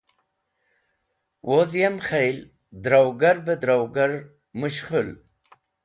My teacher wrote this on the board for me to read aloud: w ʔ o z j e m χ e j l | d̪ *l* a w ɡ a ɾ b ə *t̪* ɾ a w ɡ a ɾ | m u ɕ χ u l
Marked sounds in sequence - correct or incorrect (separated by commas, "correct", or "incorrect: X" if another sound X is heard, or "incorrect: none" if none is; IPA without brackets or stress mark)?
incorrect: ɾ, incorrect: d̪